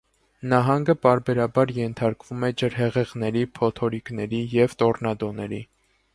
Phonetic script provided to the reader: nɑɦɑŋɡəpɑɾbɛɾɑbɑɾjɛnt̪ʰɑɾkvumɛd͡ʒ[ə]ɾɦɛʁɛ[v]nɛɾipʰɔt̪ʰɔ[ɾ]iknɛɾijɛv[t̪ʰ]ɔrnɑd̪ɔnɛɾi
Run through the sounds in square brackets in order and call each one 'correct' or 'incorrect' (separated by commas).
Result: correct, incorrect, correct, incorrect